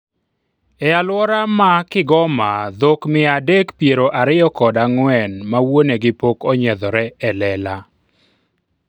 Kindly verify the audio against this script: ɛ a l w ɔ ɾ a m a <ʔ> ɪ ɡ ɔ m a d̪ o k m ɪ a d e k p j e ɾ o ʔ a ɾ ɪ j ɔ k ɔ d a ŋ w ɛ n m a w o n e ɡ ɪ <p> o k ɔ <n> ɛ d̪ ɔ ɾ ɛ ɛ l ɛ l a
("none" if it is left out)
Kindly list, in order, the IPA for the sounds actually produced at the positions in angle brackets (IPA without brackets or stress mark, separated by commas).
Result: k, p, ɲ